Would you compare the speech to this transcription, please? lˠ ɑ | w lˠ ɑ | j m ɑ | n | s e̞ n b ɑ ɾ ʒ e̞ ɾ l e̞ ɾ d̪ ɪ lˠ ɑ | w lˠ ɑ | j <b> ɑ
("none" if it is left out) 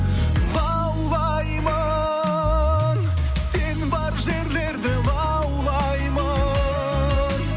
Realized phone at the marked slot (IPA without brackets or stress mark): m